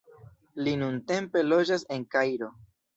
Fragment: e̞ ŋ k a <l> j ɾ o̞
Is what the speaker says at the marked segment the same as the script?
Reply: no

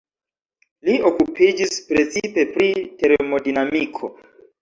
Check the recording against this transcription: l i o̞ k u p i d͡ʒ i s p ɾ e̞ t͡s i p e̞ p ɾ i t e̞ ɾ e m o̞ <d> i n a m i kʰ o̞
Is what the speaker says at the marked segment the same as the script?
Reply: yes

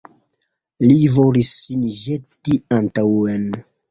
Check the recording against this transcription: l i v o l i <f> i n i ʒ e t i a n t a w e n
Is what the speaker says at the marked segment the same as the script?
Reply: no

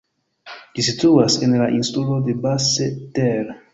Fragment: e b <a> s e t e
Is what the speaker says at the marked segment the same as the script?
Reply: yes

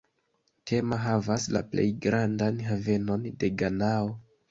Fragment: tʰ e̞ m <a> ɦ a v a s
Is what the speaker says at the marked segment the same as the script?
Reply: yes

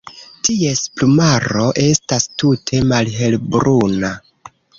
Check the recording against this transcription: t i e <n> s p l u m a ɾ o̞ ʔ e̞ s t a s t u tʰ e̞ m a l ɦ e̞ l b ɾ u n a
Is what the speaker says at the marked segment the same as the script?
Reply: no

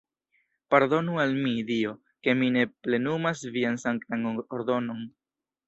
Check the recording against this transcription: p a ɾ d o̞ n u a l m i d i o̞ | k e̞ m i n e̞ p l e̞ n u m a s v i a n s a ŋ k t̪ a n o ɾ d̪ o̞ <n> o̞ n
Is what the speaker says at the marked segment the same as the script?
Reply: yes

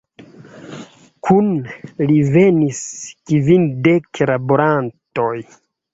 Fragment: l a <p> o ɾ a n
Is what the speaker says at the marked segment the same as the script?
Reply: no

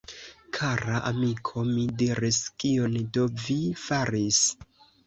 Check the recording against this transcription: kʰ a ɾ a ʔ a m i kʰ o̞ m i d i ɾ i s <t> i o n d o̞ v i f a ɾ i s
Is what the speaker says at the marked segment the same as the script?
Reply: no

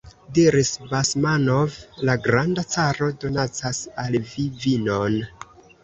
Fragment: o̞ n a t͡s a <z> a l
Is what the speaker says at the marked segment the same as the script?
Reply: no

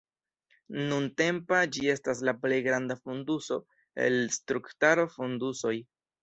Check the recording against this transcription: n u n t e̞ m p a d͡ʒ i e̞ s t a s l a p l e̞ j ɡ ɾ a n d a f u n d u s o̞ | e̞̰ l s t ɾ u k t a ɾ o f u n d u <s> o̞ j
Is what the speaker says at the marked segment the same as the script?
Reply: yes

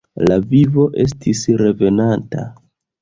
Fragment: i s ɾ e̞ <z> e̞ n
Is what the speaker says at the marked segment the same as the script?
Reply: no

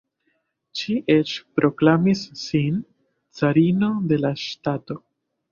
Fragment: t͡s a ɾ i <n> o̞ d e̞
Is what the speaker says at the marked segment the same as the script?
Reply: yes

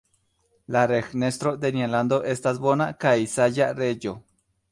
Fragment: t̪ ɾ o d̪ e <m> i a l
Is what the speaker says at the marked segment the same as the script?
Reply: no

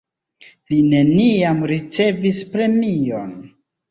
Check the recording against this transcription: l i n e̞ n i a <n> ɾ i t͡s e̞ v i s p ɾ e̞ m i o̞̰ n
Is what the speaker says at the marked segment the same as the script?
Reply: no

